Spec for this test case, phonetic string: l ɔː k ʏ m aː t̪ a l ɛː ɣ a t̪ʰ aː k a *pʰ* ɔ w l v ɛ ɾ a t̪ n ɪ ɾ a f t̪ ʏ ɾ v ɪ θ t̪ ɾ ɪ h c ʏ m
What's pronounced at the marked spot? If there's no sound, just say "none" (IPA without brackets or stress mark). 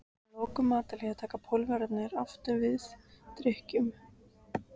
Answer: pʰ